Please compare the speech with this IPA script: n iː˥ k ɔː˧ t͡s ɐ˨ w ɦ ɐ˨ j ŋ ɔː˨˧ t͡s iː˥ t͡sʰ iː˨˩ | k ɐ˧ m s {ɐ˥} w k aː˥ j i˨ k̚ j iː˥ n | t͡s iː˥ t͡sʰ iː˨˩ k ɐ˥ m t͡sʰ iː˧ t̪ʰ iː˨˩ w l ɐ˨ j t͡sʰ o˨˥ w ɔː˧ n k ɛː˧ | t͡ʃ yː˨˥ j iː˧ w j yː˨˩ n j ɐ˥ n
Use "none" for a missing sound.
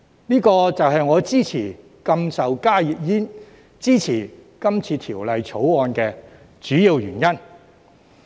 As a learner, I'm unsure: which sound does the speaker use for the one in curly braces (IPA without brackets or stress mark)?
ɐ˨